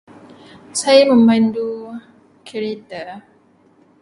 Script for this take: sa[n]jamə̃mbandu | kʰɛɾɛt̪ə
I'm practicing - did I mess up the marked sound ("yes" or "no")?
yes